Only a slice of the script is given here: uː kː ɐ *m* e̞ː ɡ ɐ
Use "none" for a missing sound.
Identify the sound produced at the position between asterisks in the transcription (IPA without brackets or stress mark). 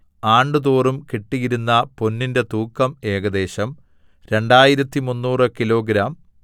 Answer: m